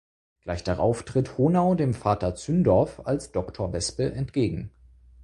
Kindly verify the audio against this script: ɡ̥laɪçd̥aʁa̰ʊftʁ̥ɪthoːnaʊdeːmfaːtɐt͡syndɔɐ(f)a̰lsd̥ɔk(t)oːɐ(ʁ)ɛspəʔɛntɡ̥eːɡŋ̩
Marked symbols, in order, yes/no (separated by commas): yes, no, no